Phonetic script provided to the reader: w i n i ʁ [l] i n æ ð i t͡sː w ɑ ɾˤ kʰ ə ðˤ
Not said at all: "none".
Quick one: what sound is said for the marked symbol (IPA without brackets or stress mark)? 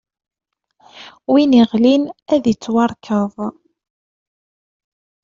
l